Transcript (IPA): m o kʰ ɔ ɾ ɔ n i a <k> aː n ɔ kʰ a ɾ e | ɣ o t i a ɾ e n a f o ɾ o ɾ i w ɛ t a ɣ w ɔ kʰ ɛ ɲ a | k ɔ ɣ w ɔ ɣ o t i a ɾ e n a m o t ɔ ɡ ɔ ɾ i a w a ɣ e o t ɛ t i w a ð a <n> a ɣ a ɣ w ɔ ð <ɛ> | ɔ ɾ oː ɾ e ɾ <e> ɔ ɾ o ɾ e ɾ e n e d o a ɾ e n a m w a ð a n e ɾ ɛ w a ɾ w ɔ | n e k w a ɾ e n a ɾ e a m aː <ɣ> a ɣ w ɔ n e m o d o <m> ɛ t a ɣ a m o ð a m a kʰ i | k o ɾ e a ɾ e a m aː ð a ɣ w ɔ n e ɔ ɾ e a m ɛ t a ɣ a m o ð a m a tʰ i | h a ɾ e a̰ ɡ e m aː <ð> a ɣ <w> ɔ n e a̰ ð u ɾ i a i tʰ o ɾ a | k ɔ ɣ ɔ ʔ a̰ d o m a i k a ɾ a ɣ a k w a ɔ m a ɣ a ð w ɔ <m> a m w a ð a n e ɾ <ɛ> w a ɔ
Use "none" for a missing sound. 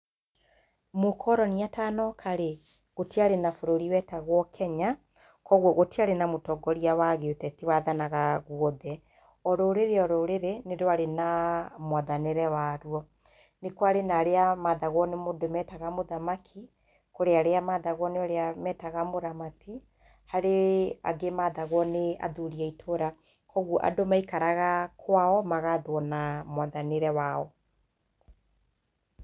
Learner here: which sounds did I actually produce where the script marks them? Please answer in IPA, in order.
t, n, ɛ, e, ð, m, ð, w, n, ɛ

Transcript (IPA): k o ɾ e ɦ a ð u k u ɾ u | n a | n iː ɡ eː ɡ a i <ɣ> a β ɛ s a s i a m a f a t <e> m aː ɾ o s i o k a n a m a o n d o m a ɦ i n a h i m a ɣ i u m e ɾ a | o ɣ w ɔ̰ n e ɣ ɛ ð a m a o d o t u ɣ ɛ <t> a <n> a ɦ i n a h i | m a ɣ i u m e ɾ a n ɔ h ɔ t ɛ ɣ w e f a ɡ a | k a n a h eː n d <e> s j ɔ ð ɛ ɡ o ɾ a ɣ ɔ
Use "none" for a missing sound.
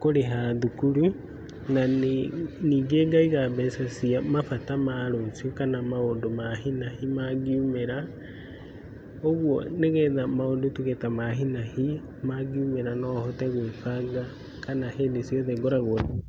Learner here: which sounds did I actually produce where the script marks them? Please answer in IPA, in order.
ɣ, a, t, m, e

